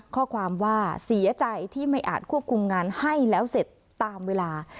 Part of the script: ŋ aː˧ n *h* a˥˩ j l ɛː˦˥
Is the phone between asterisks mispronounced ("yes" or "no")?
no